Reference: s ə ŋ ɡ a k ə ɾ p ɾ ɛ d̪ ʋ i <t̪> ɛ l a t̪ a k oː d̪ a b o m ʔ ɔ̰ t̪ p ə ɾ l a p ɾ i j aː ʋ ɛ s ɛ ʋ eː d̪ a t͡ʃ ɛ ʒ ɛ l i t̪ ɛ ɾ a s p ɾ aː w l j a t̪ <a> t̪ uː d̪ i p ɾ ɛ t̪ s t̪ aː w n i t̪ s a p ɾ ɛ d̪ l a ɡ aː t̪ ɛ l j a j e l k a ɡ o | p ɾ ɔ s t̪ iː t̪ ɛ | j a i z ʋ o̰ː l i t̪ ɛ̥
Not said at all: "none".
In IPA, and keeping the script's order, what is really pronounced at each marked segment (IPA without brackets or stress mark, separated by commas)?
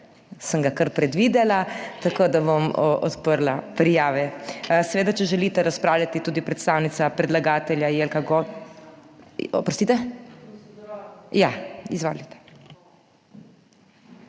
d̪, i